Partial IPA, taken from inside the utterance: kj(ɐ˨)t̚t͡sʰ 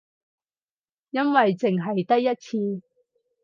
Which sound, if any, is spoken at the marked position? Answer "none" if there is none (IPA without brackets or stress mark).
ɐ˥